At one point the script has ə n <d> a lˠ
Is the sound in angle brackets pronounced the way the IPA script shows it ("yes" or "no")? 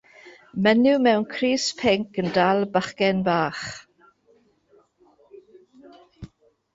yes